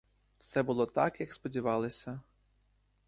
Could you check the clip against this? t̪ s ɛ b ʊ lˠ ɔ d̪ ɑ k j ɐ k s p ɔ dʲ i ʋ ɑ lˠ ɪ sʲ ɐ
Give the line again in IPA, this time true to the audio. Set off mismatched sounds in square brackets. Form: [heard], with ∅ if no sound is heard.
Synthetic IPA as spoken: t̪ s ɛ b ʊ lˠ ɔ [t̪] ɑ k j ɐ k s p ɔ dʲ i ʋ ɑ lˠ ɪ sʲ ɐ